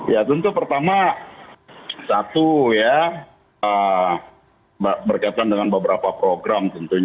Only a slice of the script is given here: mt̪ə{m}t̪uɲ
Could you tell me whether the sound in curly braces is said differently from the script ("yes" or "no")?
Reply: yes